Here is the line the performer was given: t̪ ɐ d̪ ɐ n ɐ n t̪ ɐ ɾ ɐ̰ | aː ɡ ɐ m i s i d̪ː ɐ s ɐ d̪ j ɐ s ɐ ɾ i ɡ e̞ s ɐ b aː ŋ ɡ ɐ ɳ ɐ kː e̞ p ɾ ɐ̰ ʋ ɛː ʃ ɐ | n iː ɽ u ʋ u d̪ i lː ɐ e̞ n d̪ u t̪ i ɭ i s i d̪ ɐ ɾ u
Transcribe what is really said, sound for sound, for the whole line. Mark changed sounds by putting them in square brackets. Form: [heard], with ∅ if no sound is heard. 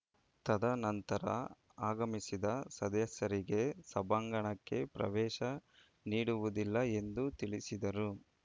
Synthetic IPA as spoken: t̪ ɐ d̪ ɐ n ɐ n t̪ ɐ ɾ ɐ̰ | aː ɡ ɐ m i s i [d̪] ɐ s ɐ d̪ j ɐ s ɐ ɾ i ɡ e̞ s ɐ b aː ŋ ɡ ɐ ɳ ɐ kː e̞ p ɾ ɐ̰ ʋ ɛː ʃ ɐ | n iː ɽ u ʋ u d̪ i lː ɐ e̞ n d̪ u t̪ i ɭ i s i d̪ ɐ ɾ u